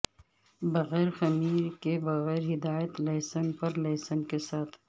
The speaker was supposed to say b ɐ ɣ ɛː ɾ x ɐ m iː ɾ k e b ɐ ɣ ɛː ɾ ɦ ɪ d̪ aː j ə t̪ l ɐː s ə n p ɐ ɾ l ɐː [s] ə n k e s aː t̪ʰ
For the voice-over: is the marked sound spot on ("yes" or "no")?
yes